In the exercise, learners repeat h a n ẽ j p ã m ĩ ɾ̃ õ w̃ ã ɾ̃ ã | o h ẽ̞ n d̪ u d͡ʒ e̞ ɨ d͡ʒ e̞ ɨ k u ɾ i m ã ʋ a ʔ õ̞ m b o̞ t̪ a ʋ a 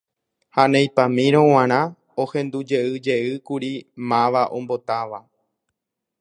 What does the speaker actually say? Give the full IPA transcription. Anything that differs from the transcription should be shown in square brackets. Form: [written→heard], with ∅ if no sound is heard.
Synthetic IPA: h a n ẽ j p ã m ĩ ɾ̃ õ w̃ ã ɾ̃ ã | o h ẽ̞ n d̪ u d͡ʒ e̞ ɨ d͡ʒ e̞ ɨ k u ɾ i m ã ʋ a ʔ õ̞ m b o̞ t̪ a ʋ a